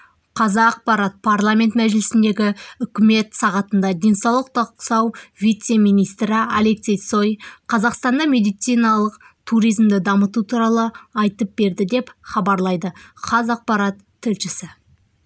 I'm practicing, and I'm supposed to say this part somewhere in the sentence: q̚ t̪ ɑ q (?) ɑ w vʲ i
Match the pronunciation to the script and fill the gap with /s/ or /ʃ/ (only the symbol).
s